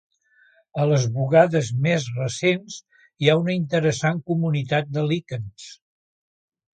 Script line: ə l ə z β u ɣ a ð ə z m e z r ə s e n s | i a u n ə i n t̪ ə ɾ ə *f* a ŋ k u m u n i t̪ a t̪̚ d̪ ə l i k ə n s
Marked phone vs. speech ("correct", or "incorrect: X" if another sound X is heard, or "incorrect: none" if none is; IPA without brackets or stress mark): incorrect: s